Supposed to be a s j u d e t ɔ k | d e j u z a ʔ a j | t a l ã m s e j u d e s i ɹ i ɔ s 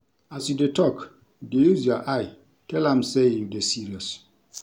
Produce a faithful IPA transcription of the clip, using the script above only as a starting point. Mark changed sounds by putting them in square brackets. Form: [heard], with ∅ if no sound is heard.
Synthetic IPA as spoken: a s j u d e t ɔ k | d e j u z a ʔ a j | t [ɛ] l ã m s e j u d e s i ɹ i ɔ s